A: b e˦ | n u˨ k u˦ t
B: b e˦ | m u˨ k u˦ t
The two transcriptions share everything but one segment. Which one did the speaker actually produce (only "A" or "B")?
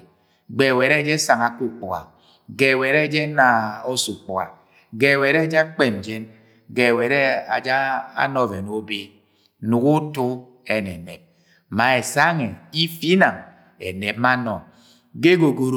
A